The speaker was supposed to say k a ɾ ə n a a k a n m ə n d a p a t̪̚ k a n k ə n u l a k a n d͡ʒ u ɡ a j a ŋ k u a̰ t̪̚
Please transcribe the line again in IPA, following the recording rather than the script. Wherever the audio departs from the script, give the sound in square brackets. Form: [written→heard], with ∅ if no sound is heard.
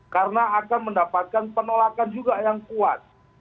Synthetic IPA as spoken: k a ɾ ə n a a k a n m ə n d a p a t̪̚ k a n [k→p] ə n [u→o] l a k a n d͡ʒ u ɡ a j a ŋ k u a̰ t̪̚